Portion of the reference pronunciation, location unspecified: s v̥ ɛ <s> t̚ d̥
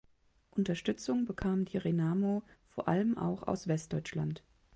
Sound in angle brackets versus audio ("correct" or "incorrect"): correct